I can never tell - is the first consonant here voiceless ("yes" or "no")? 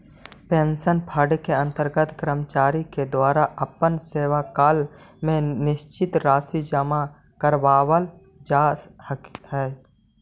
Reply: yes